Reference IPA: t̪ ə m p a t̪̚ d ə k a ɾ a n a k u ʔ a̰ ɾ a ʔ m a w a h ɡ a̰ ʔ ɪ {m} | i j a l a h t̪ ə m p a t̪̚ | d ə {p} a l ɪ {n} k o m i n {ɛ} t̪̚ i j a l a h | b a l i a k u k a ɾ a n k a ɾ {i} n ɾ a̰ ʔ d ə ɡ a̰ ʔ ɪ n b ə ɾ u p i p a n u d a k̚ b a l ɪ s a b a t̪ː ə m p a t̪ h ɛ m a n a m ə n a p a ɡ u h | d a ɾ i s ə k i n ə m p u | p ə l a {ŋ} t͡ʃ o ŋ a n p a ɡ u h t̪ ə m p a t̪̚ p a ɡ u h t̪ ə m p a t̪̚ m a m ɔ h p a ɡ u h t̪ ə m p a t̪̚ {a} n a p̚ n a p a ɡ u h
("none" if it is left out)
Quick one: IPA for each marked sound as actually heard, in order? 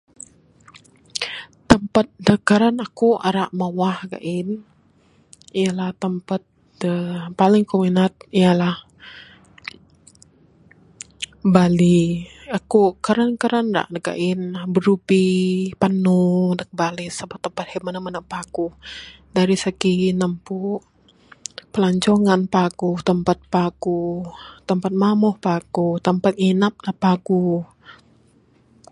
n, p, ŋ, a, a, ɲ, i

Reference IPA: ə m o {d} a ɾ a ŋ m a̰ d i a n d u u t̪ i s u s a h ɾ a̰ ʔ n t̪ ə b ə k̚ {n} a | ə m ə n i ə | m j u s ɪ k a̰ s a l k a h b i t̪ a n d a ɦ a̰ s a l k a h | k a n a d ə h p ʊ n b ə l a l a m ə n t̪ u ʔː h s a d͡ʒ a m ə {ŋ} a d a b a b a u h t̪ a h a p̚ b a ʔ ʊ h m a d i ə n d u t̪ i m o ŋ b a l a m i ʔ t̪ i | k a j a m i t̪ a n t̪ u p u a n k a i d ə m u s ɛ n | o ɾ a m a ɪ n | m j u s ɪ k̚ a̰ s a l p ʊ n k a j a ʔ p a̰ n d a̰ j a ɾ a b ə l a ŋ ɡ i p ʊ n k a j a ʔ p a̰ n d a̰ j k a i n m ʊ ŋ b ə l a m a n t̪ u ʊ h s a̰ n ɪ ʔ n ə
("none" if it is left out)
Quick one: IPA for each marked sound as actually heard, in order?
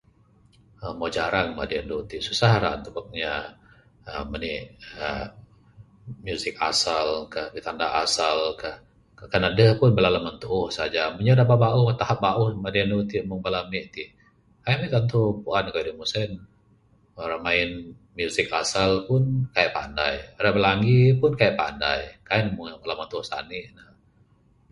d͡ʒ, ɲ, ɲ

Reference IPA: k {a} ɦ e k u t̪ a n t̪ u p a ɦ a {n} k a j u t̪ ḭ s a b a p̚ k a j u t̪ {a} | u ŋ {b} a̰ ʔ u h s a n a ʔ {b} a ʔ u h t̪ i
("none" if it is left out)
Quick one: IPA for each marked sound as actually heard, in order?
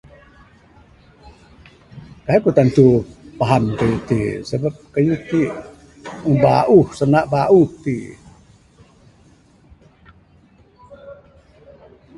a, n, i, b, b

